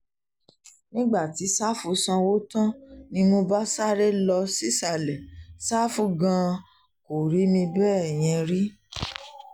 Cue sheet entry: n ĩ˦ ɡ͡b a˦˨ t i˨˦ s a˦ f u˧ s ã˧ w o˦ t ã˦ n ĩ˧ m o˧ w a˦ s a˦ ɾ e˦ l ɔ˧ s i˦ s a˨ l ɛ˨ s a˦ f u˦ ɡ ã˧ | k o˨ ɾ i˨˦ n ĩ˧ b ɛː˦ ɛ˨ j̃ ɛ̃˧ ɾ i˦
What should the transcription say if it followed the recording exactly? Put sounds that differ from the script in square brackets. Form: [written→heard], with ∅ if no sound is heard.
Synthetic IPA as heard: n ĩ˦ ɡ͡b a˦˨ t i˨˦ s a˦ f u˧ s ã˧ w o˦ t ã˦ n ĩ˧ m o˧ [w→b] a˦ s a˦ ɾ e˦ l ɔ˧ s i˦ s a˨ l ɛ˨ s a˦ f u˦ ɡ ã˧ | k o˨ ɾ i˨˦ [n→m] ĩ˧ b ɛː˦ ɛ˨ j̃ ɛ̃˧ ɾ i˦